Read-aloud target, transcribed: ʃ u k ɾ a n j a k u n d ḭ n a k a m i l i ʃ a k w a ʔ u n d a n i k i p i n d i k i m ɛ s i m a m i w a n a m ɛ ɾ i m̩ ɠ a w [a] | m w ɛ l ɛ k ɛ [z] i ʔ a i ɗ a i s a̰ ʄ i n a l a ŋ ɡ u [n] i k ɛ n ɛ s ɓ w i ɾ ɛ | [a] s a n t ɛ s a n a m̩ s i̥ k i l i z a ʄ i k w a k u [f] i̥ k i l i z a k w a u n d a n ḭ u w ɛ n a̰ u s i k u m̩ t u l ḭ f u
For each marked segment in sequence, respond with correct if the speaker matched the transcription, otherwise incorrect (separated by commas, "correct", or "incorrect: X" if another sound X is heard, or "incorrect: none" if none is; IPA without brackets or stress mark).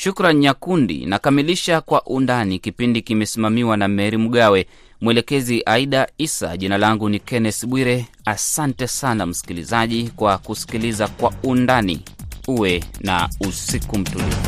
incorrect: ɛ, correct, correct, correct, incorrect: s